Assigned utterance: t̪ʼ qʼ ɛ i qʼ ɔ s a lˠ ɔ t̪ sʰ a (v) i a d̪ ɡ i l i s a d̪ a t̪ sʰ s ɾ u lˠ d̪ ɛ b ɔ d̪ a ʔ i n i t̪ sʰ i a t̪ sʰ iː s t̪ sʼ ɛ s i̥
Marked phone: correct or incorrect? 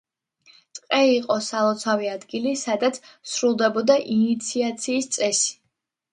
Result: correct